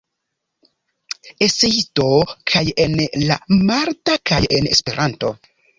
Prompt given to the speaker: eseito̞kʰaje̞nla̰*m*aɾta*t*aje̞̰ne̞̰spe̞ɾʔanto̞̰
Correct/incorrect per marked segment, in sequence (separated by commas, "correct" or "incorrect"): correct, incorrect